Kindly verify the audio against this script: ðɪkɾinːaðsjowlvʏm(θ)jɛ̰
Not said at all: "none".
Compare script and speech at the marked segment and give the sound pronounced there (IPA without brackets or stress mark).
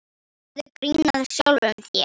θ